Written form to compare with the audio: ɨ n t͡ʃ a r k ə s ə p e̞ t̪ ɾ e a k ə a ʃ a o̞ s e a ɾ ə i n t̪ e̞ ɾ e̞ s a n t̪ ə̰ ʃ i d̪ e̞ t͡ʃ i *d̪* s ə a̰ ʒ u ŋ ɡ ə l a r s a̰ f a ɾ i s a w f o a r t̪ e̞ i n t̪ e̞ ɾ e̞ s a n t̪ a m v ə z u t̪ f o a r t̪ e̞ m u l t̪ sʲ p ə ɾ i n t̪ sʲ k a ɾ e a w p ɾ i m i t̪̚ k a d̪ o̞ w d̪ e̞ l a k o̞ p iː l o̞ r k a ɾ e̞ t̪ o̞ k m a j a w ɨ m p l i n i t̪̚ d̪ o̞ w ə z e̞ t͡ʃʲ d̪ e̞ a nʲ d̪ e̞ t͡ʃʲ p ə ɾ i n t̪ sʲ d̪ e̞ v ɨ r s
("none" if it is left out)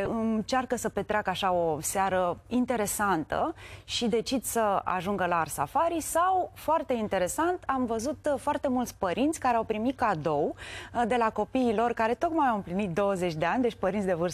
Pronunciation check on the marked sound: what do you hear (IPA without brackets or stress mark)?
d̪